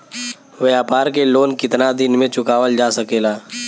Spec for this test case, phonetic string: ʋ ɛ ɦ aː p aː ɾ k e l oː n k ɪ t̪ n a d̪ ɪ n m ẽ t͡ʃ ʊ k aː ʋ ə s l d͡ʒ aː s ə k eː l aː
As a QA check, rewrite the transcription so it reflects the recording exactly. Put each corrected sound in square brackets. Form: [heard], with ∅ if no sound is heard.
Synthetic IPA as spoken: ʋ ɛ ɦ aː p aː ɾ k e l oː n k ɪ t̪ n a d̪ ɪ n m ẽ t͡ʃ ʊ k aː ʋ ə [∅] l d͡ʒ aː s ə k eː l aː